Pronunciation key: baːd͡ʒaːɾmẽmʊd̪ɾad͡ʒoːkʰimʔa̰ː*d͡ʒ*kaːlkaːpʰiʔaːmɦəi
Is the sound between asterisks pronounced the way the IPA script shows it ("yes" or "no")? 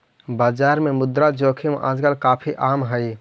yes